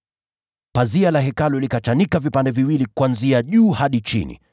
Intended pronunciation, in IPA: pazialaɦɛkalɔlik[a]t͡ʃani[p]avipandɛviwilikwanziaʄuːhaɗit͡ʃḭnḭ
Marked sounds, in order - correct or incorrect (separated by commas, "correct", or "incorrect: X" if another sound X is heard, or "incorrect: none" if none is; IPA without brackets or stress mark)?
correct, incorrect: k